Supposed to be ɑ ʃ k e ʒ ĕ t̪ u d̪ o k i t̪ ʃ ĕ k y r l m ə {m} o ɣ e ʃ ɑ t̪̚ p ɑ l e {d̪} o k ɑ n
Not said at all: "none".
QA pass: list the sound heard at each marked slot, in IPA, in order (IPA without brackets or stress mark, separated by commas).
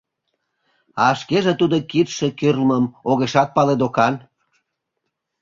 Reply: m, d̪